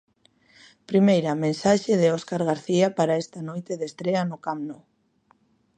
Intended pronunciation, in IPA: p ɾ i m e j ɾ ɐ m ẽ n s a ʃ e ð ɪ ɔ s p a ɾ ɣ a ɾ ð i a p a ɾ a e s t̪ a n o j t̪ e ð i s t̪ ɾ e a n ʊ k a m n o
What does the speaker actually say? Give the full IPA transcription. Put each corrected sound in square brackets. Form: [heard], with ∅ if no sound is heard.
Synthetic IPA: p ɾ i m e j ɾ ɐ m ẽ n s a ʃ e ð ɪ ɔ s [k] a ɾ ɣ a ɾ [θ] i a p a ɾ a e s t̪ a n o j t̪ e ð [e] s t̪ ɾ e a n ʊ k a m n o